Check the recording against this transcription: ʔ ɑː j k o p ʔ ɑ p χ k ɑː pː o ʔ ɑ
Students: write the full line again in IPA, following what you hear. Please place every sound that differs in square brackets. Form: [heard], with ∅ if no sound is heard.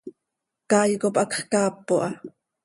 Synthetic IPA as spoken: [k] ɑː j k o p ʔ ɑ [k] χ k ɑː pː o ʔ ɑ

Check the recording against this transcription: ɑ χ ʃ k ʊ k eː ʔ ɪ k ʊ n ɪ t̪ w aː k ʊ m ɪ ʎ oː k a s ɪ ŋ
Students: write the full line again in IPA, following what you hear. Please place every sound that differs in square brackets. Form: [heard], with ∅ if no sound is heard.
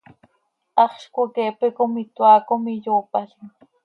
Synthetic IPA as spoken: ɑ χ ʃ k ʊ k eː [p] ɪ k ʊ [m] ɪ t̪ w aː k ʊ m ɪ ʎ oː [p] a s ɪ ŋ

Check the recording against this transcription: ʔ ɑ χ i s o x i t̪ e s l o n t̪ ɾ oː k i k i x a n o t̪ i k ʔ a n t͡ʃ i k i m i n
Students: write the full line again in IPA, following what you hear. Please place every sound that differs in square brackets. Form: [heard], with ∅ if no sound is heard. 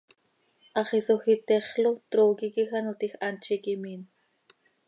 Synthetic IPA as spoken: ʔ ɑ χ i s o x i t̪ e [χ] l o [∅] t̪ ɾ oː k i k i x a n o t̪ i [x] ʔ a n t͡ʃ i k i m i n

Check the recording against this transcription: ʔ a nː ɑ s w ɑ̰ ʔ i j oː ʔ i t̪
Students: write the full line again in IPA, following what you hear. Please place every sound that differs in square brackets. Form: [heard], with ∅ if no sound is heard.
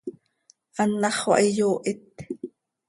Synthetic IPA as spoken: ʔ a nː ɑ [χ] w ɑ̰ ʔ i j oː ʔ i t̪

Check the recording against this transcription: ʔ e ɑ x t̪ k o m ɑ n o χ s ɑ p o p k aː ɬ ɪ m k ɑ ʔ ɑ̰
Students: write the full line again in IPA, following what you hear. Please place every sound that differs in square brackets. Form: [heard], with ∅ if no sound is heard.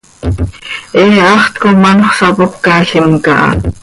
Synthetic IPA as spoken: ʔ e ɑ [χ] t̪ k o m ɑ n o χ s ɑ p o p k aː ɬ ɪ m k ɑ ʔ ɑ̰

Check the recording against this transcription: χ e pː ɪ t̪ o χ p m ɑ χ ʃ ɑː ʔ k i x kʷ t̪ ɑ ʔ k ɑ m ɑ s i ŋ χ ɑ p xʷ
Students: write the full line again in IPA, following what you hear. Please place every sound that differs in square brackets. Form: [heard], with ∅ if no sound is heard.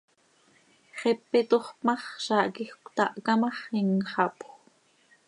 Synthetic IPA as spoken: χ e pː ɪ t̪ o χ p m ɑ χ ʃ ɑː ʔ k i x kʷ t̪ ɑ ʔ k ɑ m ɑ [χ] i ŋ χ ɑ p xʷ

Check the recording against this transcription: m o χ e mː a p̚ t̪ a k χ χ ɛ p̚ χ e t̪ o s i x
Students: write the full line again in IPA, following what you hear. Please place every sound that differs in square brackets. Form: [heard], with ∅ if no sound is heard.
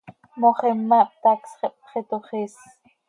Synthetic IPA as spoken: m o χ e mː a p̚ t̪ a k [s] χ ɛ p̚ χ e t̪ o [χ] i [s]

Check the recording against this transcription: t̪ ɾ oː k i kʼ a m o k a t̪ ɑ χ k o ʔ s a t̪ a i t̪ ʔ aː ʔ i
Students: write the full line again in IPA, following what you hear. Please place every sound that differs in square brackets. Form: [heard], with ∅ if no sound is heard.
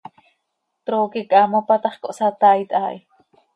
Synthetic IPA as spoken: t̪ ɾ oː k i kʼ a m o [p] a t̪ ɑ χ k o ʔ s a t̪ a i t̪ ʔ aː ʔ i

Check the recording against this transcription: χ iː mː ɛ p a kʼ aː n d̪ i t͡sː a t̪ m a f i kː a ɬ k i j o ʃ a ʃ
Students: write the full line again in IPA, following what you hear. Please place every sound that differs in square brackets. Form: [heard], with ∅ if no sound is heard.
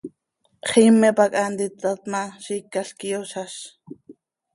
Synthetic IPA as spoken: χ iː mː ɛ p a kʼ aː n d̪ i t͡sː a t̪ m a [ʃ] i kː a ɬ k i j o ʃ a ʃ

